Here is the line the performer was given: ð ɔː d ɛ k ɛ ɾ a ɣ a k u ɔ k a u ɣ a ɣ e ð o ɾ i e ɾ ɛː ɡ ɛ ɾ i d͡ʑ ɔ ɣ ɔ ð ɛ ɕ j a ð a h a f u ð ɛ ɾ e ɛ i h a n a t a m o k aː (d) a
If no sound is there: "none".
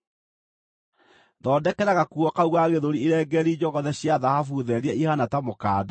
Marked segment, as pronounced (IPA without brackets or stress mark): d